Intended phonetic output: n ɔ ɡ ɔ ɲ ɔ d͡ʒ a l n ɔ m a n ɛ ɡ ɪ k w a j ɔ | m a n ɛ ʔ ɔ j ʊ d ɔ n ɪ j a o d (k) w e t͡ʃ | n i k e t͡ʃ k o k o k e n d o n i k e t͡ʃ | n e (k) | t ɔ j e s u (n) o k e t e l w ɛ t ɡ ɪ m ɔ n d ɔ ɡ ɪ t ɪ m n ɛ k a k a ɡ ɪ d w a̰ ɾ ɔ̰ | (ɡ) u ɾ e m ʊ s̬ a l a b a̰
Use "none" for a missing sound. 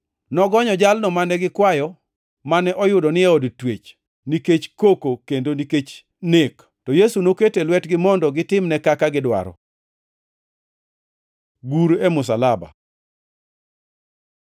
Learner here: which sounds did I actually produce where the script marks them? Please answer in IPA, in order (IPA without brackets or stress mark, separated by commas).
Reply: t, k, n, ɡ